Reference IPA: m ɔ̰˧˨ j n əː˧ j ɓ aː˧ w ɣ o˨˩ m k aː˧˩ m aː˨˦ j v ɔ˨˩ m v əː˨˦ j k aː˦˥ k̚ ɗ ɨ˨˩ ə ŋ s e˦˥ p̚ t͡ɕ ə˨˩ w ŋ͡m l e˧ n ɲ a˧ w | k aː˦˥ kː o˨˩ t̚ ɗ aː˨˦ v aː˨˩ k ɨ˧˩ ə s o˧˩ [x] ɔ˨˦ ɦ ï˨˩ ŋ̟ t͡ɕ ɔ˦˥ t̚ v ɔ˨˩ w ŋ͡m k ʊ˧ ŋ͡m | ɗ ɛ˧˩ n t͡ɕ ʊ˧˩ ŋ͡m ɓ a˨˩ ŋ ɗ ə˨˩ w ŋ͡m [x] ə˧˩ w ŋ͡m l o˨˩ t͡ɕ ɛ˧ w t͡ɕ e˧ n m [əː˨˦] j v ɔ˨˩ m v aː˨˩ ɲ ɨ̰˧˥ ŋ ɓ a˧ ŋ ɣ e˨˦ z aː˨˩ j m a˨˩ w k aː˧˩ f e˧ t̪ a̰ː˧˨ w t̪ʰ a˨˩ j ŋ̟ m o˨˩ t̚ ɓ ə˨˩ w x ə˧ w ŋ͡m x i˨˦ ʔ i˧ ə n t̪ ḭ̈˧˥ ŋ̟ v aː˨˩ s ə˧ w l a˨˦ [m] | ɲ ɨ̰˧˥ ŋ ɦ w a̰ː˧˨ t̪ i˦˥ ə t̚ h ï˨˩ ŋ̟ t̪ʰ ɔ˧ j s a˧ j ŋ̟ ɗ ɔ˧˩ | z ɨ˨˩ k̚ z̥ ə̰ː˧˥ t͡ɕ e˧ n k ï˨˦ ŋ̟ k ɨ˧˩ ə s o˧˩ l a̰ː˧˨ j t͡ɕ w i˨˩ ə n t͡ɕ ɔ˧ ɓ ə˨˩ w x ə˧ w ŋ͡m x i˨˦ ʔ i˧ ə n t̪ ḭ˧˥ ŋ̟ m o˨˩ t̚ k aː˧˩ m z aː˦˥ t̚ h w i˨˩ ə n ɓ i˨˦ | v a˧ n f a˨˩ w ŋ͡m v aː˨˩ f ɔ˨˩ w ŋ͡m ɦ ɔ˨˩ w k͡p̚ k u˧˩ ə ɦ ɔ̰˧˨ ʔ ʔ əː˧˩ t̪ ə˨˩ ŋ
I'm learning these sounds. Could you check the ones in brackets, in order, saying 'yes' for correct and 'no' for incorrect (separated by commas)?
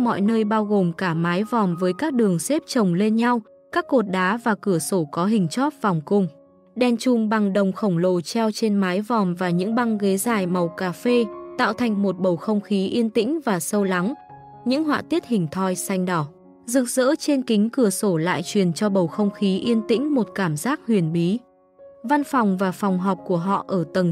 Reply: no, yes, no, no